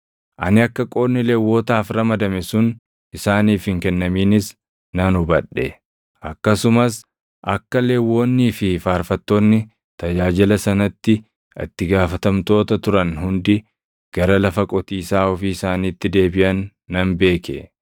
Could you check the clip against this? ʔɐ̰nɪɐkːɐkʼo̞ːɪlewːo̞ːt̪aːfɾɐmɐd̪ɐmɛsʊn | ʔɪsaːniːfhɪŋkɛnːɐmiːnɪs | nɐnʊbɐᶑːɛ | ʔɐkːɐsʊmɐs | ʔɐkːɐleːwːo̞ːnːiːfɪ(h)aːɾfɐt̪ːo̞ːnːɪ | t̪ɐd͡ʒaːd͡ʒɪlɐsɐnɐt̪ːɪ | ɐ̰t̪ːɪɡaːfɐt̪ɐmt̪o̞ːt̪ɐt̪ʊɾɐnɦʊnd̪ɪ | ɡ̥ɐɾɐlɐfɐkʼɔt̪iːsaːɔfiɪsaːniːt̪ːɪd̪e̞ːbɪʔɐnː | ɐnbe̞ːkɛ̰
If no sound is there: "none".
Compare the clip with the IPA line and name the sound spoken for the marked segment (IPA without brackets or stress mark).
f